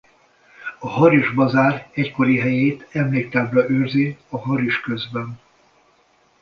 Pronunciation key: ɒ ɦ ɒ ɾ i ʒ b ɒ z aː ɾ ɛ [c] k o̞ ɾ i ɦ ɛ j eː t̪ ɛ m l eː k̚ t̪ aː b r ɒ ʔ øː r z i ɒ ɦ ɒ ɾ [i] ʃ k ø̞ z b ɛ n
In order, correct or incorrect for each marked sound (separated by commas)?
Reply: correct, correct